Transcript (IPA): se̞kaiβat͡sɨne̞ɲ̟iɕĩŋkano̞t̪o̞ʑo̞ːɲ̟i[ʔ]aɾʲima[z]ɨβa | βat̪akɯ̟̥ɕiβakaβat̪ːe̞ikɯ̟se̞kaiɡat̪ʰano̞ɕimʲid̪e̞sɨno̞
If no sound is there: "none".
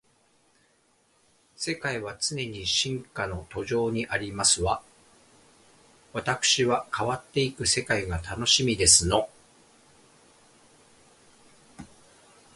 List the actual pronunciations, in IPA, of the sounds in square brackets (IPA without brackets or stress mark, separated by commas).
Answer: ʔ, s